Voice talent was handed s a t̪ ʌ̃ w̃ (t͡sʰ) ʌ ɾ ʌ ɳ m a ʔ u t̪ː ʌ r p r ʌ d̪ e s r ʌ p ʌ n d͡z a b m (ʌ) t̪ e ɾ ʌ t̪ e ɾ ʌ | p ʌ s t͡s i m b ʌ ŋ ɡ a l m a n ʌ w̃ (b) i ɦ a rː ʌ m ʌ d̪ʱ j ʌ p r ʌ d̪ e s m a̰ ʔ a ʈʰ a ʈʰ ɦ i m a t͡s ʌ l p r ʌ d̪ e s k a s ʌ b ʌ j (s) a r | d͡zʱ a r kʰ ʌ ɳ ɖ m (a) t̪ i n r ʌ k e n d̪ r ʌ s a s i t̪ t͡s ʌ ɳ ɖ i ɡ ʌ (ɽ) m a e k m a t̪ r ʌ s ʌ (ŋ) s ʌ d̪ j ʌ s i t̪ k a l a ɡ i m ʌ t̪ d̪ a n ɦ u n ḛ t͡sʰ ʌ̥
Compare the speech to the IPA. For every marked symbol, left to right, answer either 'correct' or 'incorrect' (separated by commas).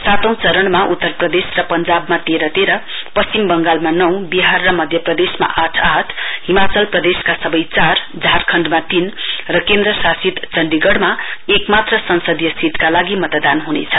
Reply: incorrect, incorrect, correct, incorrect, correct, correct, incorrect